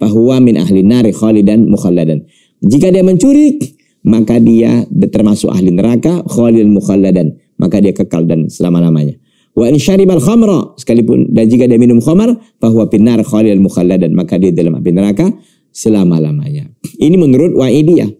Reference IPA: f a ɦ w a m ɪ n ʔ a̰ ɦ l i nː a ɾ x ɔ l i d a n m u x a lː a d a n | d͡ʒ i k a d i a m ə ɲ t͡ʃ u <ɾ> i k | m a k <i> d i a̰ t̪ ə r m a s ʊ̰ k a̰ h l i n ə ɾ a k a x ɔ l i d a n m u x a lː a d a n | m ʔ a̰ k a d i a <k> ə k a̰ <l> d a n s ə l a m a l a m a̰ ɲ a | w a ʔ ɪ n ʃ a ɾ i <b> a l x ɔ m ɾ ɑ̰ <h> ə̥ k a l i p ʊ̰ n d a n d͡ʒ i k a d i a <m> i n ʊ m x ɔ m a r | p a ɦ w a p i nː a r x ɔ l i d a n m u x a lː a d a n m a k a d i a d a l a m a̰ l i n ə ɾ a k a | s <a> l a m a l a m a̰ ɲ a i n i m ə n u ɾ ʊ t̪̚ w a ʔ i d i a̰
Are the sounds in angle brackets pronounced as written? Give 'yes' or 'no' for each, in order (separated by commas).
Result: yes, no, yes, yes, yes, no, yes, no